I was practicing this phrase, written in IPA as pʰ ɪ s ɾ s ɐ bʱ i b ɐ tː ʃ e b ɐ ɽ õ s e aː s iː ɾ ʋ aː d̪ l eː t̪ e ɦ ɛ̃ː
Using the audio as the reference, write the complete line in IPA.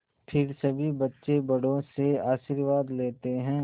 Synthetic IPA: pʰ ɪ ɾ s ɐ bʱ i b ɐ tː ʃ e b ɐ ɽ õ s e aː ʃ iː ɾ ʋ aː d̪ l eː t̪ e ɦ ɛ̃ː

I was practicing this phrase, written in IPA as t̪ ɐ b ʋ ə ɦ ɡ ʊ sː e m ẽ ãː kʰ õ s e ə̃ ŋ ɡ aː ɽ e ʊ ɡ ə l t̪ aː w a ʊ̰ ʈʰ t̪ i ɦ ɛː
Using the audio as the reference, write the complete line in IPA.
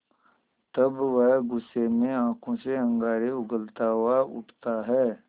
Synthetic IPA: t̪ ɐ b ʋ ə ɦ ɡ ʊ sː e m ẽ ãː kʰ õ s e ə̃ ŋ ɡ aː ɾ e ʊ ɡ ə l t̪ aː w a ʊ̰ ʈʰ t̪ a ɦ ɛː

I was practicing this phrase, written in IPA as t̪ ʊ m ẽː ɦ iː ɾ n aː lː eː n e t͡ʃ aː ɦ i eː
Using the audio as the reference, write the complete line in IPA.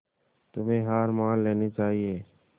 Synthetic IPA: t̪ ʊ m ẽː ɦ aː ɾ m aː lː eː n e t͡ʃ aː ɦ i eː

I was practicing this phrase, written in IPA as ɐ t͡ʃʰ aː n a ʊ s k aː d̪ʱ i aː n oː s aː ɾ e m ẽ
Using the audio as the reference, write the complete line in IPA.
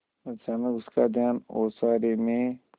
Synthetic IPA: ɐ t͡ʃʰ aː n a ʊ s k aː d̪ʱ j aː n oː s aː ɾ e m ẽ

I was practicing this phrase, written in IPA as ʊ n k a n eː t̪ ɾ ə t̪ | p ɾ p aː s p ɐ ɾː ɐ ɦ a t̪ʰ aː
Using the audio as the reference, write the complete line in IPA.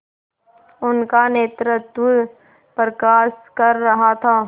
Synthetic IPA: ʊ n k a n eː t̪ ɾ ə t̪ | p ɾ k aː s k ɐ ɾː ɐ ɦ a t̪ʰ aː

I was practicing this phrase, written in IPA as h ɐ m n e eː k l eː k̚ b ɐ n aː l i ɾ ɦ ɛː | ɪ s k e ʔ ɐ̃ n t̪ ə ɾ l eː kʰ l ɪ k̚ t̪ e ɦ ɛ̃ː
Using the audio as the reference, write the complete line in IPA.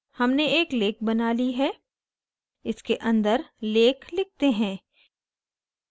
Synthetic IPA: h ɐ m n e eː k l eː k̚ b ɐ n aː l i ɦ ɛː | ɪ s k e ʔ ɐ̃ n d̪ ə ɾ l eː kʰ l ɪ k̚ t̪ e ɦ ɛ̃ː

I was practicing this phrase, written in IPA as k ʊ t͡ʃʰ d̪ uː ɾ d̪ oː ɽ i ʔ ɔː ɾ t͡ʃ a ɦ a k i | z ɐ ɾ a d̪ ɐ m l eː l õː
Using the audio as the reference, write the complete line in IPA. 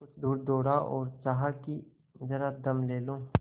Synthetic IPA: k ʊ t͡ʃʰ d̪ uː ɾ d̪ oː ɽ a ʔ ɔː ɾ t͡ʃ a ɦ a k i | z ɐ ɾ a d̪ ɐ m l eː l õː

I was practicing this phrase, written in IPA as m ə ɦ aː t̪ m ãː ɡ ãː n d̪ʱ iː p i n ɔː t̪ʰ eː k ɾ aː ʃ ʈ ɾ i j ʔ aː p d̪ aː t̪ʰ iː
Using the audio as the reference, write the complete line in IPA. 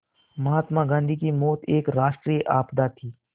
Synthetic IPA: m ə ɦ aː t̪ m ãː ɡ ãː n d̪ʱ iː k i m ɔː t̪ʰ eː k ɾ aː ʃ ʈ ɾ i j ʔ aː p d̪ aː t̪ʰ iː

